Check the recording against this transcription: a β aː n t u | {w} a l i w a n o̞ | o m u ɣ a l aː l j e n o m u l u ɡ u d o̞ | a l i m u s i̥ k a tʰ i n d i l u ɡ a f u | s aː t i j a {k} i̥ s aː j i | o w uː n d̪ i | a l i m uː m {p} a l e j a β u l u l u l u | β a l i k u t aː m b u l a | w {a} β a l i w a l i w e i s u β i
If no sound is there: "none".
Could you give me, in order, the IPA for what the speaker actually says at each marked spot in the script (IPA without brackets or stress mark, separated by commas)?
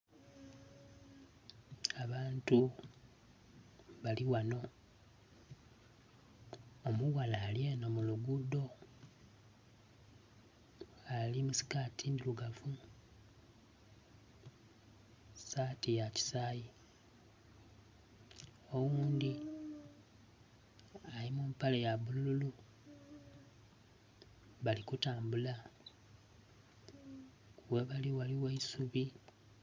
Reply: β, c, p, e